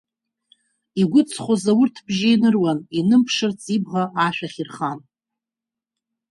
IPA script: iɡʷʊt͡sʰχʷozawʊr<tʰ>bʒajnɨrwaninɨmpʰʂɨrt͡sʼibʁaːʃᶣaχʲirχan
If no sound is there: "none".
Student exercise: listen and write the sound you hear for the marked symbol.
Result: tʰ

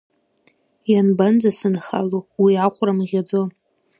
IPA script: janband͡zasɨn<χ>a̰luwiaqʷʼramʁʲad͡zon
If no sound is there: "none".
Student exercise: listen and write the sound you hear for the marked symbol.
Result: χ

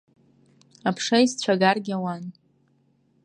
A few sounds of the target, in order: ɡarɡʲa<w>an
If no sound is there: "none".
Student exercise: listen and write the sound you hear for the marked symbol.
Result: w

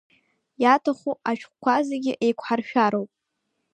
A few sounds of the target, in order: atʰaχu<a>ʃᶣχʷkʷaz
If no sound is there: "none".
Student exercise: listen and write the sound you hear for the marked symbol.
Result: a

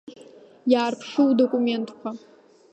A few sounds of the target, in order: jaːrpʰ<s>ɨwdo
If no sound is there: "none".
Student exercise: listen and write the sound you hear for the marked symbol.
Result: ʂ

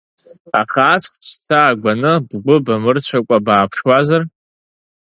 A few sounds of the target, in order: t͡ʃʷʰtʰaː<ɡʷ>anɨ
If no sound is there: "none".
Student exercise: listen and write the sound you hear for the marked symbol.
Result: ɡʷ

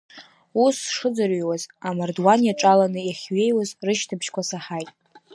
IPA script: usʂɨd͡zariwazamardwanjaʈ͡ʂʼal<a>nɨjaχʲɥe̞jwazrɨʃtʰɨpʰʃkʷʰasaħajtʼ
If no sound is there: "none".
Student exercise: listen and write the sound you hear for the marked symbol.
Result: a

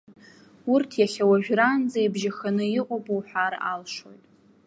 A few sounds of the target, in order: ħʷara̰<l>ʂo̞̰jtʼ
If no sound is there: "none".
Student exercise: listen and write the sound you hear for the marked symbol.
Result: l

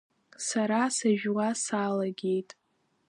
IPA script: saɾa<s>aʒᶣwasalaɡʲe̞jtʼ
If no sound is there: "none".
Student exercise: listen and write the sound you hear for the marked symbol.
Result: s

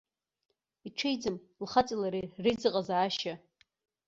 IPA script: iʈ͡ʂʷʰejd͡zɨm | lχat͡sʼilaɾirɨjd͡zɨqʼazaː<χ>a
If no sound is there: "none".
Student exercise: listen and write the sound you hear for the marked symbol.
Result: ʃ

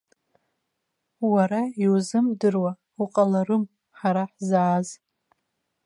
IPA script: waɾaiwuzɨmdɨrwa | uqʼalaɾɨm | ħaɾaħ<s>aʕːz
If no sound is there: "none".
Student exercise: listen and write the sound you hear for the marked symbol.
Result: z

